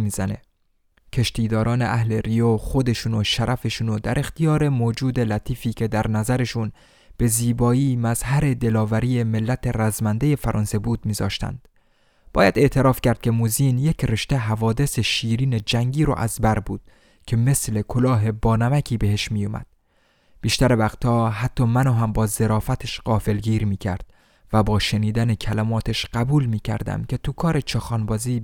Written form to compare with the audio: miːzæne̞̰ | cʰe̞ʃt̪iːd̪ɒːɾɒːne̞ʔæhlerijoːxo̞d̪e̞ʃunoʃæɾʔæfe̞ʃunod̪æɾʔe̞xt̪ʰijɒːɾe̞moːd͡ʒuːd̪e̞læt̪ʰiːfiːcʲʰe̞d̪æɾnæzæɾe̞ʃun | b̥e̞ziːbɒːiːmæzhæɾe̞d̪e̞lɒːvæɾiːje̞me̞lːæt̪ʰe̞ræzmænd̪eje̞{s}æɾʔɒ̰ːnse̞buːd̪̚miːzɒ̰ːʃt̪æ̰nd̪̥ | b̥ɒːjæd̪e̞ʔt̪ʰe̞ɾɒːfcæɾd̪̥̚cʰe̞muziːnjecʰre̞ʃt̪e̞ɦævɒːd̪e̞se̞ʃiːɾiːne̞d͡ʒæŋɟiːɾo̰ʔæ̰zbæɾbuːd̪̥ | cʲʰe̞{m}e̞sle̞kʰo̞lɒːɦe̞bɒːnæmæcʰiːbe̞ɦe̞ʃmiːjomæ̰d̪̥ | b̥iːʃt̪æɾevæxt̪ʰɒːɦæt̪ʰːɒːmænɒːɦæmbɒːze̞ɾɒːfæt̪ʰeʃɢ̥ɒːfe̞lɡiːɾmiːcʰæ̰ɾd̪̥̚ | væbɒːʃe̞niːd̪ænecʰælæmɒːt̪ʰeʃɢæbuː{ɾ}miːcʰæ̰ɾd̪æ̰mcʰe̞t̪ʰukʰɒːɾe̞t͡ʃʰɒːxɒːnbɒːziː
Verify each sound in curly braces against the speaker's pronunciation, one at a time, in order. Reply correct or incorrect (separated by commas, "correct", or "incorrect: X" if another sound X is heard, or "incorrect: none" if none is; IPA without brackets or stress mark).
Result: incorrect: f, correct, incorrect: l